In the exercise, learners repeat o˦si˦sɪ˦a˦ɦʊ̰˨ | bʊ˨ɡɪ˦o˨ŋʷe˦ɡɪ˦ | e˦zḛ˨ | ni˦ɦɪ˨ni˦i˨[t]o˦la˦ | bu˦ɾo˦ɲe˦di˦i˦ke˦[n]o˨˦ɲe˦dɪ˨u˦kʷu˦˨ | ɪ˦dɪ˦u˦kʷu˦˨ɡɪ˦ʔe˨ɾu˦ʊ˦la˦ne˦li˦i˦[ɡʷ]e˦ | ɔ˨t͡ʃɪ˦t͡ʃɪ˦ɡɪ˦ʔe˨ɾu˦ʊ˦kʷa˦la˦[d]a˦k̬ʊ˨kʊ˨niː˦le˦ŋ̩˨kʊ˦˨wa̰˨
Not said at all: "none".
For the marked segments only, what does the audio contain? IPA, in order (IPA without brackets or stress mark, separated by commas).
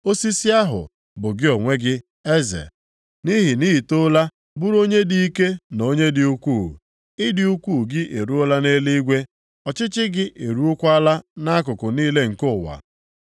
t, n, ɡʷ, n